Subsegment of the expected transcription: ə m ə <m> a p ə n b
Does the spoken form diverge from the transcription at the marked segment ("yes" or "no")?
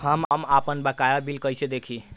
no